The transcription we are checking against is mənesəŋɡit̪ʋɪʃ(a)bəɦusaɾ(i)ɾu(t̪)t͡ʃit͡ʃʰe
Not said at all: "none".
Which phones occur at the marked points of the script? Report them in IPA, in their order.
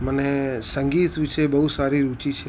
e, i, none

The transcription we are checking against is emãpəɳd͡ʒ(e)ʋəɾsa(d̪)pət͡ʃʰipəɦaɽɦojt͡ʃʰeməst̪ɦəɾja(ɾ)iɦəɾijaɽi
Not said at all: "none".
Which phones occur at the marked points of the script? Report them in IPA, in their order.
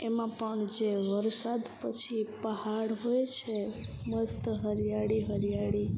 e, d̪, ɽ

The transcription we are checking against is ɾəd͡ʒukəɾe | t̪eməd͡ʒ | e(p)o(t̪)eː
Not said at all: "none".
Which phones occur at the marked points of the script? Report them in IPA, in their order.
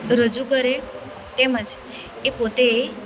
p, t̪

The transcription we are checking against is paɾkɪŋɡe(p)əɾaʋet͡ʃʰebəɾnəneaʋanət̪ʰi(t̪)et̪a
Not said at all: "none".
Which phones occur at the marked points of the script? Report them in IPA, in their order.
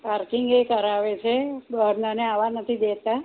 k, d̪

